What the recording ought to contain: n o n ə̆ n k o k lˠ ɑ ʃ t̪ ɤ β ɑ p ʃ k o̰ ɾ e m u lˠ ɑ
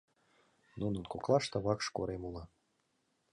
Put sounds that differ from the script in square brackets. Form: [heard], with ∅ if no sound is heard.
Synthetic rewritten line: n [u] n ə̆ n k o k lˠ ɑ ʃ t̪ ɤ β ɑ [k] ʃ k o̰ ɾ e m u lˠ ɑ